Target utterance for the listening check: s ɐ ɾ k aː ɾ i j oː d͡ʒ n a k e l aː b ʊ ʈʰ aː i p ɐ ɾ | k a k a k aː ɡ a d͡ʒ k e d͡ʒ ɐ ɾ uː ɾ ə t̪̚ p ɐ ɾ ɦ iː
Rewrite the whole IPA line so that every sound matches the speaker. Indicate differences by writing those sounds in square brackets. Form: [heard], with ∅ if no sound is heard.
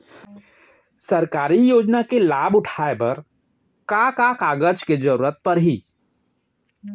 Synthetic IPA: s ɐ ɾ k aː ɾ i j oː d͡ʒ n a k e l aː b ʊ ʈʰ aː [e] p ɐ ɾ | k a k a k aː ɡ [ə] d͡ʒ k e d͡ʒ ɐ ɾ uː ɾ ə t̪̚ p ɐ ɾ ɦ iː